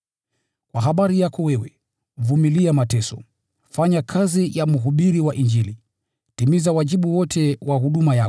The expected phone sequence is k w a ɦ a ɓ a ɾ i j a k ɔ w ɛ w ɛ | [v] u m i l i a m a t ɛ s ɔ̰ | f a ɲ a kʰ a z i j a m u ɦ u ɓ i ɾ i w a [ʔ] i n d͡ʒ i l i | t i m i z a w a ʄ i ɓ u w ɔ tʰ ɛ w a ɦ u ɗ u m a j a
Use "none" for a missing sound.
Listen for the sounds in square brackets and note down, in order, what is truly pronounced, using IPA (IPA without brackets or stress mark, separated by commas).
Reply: v, ʔ